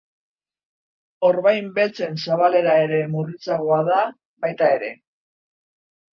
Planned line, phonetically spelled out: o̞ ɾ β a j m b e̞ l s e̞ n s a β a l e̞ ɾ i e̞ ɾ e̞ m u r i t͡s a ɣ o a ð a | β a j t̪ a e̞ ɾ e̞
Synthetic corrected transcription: o̞ ɾ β a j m b e̞ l t͡s e̞ n s a β a l e̞ ɾ a e̞ ɾ e̞ m u r i t͡s a ɣ o a ð a | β a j t̪ a e̞ ɾ e̞